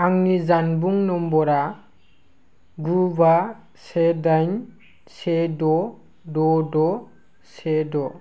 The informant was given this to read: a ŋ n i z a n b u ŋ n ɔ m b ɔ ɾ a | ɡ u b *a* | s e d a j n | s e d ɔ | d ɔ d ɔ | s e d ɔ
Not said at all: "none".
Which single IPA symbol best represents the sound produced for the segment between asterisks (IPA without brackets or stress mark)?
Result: a